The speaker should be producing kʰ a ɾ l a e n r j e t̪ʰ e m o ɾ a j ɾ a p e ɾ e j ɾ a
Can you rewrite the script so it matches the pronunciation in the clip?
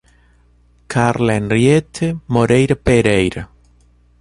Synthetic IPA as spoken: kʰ a ɾ l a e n r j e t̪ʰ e m o ɾ e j ɾ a p e ɾ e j ɾ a